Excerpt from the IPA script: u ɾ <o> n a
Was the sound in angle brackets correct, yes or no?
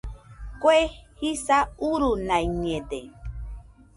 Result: no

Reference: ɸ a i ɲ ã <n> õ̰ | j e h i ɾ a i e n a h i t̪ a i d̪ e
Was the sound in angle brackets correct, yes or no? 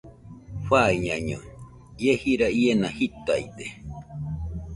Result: no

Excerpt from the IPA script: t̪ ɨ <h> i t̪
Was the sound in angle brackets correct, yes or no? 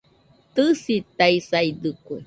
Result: no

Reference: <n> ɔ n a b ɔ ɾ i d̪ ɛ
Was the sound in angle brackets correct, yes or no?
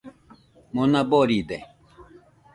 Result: no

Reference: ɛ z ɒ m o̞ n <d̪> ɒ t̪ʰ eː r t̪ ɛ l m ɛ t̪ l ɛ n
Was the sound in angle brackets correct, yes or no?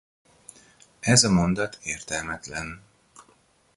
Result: yes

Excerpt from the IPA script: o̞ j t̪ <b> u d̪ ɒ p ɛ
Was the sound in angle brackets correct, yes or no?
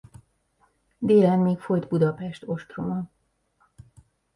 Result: yes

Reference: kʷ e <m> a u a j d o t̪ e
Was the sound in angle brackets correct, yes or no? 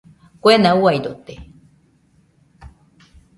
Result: no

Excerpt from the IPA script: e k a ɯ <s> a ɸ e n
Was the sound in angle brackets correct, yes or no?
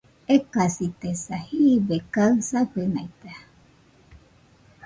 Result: yes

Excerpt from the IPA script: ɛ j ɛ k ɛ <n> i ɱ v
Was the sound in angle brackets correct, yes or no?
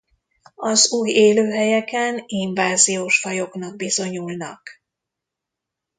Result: yes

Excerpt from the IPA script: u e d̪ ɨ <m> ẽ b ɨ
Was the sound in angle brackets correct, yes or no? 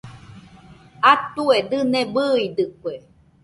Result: no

